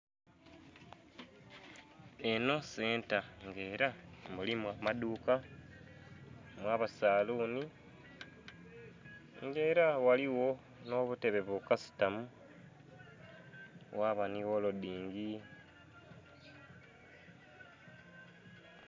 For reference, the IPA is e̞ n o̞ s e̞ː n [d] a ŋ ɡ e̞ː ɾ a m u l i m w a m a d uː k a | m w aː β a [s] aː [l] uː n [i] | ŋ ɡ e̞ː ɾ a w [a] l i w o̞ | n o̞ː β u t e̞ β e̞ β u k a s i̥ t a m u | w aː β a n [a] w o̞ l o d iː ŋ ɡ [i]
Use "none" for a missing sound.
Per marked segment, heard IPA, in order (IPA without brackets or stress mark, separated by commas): t, s, l, i, a, i, i